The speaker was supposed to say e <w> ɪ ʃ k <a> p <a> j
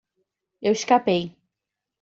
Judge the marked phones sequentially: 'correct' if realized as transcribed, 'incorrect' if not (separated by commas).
correct, correct, incorrect